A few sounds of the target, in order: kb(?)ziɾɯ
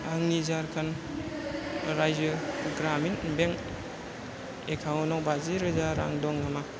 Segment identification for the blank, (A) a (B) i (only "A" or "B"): A